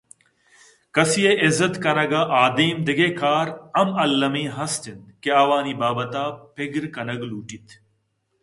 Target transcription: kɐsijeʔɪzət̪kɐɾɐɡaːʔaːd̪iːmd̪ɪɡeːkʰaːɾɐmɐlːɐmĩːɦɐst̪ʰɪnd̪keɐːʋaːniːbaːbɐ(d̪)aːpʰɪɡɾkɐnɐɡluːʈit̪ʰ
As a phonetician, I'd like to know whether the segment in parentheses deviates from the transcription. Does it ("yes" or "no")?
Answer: yes